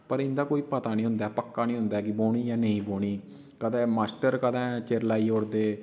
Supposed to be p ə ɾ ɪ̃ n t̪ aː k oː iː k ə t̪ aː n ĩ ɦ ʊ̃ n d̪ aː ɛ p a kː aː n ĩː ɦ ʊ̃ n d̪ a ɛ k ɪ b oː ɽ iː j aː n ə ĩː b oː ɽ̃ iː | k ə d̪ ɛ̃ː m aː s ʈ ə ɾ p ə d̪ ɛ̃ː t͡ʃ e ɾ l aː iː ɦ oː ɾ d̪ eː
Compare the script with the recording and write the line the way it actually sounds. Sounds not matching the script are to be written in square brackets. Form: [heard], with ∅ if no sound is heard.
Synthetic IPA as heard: p ə ɾ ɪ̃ n [d̪] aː k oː iː [p] ə t̪ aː n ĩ ɦ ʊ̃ n d̪ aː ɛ p [ə] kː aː n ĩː ɦ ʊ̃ n d̪ a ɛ k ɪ b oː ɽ iː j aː n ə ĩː b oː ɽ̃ iː | k ə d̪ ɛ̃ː m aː s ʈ ə ɾ [k] ə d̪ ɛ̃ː t͡ʃ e ɾ l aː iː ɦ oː ɾ d̪ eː

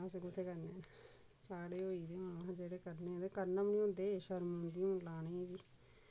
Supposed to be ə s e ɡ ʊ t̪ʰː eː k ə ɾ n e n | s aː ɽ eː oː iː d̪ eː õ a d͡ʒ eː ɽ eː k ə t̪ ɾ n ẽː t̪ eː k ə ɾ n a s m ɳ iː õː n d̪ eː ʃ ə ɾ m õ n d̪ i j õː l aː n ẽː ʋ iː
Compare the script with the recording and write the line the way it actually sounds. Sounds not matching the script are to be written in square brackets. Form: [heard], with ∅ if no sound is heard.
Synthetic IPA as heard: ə s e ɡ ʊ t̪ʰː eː k ə ɾ n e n | s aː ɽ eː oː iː d̪ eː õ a d͡ʒ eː ɽ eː k ə [∅] ɾ n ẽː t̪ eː k ə ɾ n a [∅] m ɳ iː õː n d̪ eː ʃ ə ɾ m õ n d̪ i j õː l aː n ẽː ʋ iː

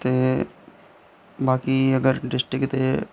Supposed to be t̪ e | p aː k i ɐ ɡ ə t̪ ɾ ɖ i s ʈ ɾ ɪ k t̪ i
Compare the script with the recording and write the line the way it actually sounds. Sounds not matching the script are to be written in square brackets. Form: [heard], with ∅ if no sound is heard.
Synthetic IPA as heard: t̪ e | [b] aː k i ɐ ɡ ə [∅] ɾ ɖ [ɪ] s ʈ ɾ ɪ k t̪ [e]

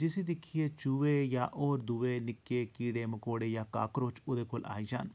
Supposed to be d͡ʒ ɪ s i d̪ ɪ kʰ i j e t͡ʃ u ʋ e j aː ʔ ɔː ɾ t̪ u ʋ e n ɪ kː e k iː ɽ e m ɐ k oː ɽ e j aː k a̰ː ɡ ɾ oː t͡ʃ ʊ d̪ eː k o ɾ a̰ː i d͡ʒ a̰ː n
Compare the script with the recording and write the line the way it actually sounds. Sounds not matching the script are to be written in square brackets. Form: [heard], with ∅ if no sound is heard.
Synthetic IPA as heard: d͡ʒ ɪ s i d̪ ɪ kʰ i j e t͡ʃ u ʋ e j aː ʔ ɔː ɾ [d̪] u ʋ e n ɪ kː e k iː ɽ e m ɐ k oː ɽ e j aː k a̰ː [k] ɾ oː t͡ʃ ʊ d̪ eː k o [l] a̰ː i d͡ʒ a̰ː n

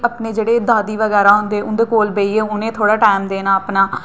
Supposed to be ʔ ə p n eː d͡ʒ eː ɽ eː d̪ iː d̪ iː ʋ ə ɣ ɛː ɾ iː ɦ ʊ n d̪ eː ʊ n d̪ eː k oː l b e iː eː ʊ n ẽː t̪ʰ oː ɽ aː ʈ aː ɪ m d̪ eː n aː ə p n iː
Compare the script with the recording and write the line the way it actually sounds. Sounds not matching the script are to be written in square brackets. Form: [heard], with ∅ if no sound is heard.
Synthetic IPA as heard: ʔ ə p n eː d͡ʒ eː ɽ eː d̪ [aː] d̪ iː ʋ ə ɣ ɛː ɾ [aː] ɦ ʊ n d̪ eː ʊ n d̪ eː k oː l b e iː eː ʊ n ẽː t̪ʰ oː ɽ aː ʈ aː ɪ m d̪ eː n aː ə p n [aː]

